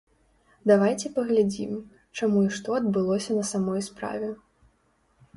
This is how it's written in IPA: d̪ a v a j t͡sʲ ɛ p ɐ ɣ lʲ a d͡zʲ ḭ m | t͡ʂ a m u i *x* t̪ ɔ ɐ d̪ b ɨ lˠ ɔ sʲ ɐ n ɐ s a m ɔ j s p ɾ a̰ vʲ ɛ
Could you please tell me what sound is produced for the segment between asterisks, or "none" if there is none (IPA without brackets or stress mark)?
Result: ʂ